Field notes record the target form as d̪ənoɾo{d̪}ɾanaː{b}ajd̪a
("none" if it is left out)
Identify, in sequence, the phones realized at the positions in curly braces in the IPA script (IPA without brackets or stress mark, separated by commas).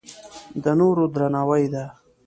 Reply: d̪, w